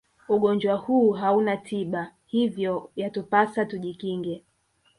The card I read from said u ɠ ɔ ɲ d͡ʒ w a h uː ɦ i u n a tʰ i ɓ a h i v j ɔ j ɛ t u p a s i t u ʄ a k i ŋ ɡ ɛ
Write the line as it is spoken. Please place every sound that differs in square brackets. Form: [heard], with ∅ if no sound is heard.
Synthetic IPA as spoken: u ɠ ɔ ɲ d͡ʒ w a h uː ɦ [a] u n a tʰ i ɓ a h i v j ɔ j [a] t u p a s [a] t u ʄ [i] k i ŋ ɡ ɛ